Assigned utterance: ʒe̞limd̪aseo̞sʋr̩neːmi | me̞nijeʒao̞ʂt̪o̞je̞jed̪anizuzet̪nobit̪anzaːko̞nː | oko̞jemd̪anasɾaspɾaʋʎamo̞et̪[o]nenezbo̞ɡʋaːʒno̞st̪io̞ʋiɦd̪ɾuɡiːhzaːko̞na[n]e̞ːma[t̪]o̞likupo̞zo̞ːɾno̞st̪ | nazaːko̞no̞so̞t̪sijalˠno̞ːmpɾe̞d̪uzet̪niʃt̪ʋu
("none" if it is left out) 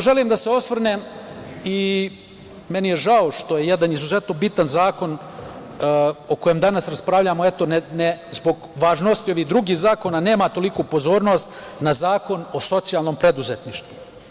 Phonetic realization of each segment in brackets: o, n, t̪

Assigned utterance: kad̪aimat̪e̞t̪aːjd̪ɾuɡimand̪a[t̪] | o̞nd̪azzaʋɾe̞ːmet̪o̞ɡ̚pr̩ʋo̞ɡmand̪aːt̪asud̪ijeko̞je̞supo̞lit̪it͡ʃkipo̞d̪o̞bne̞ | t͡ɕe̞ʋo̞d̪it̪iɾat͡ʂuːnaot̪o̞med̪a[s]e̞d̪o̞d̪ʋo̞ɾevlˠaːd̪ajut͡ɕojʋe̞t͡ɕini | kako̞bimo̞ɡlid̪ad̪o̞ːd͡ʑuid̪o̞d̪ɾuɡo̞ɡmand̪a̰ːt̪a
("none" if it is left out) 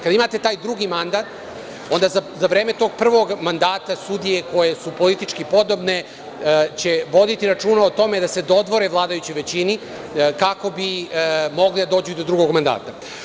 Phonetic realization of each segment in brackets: t̪, s

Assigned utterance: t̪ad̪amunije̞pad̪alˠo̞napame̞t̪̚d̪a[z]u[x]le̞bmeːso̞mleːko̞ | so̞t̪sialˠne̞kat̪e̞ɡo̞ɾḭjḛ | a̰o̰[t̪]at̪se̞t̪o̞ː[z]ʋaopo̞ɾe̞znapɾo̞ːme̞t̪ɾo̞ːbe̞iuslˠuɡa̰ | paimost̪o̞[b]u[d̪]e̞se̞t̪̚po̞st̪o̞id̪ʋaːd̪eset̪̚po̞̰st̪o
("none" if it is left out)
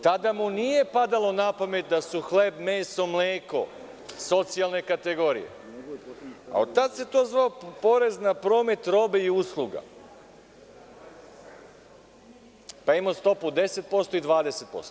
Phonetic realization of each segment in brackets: s, x, t̪, z, p, d̪

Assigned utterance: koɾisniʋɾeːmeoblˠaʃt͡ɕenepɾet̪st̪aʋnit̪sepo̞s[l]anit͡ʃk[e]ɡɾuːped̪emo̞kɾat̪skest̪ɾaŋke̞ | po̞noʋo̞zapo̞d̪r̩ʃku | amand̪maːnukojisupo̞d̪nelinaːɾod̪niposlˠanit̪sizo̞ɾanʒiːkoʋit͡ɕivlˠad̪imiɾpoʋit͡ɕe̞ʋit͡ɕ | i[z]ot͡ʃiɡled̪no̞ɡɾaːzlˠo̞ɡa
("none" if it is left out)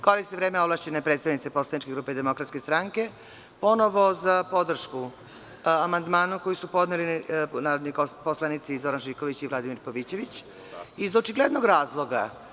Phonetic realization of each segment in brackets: l, e, z

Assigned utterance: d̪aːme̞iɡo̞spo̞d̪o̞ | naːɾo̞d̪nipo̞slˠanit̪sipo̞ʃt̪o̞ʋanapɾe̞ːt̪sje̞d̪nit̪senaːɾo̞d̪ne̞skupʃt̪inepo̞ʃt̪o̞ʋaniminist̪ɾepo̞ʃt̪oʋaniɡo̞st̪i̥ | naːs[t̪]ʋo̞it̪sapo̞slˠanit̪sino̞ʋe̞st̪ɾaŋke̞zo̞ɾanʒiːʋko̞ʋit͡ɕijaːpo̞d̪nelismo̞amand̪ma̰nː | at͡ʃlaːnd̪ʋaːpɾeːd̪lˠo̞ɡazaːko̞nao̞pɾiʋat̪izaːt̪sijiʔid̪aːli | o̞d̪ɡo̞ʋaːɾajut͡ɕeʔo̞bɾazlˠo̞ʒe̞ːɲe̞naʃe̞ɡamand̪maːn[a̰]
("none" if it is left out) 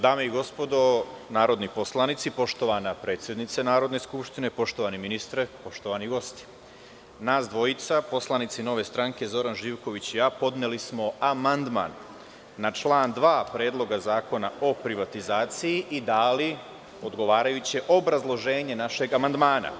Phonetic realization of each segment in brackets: d̪, a̰

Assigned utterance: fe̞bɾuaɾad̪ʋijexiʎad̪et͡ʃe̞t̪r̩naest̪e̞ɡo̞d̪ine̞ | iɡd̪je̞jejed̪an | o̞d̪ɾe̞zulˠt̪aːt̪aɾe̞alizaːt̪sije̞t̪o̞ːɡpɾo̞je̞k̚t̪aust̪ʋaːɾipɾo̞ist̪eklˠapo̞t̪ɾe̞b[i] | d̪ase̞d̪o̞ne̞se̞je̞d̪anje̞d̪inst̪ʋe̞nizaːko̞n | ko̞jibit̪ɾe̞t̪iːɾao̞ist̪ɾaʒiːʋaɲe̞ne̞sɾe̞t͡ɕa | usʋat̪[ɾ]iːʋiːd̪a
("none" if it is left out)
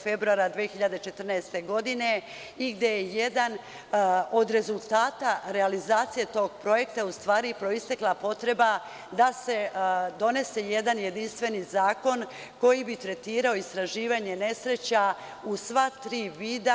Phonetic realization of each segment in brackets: a, ɾ

